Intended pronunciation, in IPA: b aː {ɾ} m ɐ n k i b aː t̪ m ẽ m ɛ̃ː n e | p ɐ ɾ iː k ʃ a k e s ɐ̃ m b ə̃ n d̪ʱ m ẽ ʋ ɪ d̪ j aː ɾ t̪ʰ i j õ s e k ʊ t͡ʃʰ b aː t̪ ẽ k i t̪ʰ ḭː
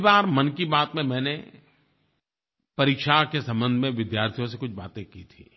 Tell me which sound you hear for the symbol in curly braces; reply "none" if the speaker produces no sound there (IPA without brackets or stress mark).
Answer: ɾ